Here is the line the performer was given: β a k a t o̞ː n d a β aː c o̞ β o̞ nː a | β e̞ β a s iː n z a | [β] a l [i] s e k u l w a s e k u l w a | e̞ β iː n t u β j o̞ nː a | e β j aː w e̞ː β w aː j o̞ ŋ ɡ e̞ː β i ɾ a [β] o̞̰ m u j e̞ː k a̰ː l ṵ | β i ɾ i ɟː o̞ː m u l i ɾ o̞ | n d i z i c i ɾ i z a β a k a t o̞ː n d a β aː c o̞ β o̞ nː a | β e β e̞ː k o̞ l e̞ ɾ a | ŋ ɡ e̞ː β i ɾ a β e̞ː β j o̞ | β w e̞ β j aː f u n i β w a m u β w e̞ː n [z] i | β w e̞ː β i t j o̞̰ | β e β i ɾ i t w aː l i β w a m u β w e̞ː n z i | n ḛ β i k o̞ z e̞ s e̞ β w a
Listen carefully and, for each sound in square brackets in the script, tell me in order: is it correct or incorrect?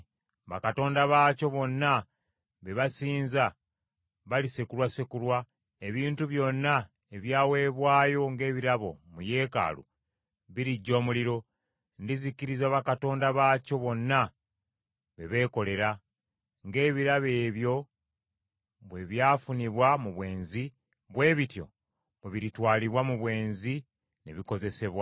correct, correct, correct, correct

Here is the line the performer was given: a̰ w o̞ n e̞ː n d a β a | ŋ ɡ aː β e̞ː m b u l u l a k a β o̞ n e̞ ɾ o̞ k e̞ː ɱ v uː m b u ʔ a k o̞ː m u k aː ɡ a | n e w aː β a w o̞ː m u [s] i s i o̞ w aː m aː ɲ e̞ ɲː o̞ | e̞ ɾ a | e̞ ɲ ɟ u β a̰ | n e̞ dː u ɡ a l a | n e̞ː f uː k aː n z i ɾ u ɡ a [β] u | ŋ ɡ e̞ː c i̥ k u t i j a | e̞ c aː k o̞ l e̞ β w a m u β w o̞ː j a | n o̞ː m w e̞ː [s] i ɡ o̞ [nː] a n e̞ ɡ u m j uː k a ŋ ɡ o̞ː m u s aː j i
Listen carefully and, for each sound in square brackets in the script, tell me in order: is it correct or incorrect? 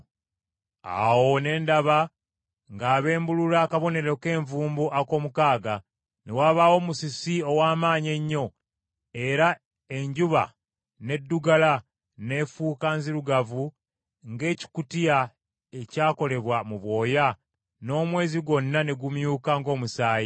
correct, incorrect, incorrect, correct

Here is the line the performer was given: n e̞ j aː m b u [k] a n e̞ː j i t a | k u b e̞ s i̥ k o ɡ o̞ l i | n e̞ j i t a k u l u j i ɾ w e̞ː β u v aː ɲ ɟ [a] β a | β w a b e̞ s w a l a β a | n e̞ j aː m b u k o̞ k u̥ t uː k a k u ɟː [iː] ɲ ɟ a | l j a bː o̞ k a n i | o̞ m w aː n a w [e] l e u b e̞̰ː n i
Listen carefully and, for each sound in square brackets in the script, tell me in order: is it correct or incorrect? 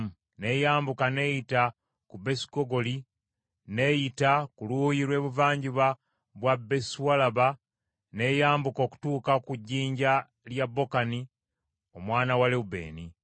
correct, incorrect, correct, incorrect

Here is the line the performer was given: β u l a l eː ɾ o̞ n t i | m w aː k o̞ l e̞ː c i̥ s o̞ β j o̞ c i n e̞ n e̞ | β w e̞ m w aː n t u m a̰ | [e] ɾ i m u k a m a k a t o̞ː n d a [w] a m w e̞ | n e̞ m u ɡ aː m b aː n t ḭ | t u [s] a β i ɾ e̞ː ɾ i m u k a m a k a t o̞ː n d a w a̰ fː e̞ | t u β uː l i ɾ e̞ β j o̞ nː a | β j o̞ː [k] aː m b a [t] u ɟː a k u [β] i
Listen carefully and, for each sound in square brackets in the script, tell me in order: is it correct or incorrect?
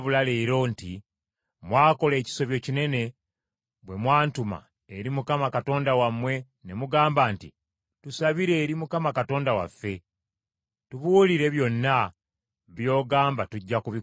correct, correct, correct, incorrect, correct, correct

